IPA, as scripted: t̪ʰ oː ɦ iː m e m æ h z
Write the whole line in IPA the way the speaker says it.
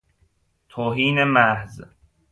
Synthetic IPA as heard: t̪ʰ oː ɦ iː n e m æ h z